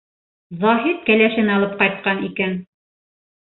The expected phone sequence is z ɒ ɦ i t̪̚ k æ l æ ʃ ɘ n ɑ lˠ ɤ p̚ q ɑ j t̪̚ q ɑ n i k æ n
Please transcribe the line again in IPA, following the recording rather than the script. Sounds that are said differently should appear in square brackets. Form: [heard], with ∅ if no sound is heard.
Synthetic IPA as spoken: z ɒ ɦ i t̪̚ k æ l æ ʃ ɘ n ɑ lˠ ɤ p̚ q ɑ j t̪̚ q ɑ n i k æ n